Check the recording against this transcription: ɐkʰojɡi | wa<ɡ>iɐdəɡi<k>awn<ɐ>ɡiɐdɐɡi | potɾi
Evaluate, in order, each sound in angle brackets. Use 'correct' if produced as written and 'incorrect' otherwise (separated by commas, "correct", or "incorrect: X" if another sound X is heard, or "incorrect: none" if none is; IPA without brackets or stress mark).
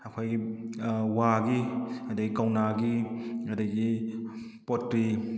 correct, correct, incorrect: a